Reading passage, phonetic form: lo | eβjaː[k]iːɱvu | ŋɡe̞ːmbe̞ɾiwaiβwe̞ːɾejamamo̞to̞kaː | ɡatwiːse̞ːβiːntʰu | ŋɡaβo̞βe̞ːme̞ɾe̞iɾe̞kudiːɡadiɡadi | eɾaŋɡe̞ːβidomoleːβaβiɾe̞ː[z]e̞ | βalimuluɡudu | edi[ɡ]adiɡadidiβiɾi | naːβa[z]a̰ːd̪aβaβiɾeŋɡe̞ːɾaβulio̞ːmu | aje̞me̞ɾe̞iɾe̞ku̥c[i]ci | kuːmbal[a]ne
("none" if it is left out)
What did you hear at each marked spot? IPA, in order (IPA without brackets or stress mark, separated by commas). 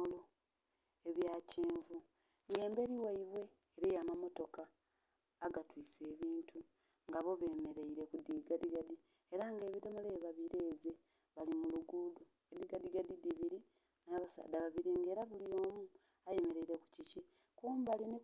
c, z, ɡ, s, i, i